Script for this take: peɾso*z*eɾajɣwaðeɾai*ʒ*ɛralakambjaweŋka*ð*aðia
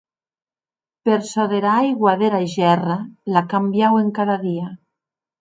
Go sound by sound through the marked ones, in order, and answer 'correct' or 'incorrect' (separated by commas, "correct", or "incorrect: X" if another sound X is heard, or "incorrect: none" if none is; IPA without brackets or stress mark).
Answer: incorrect: ð, correct, correct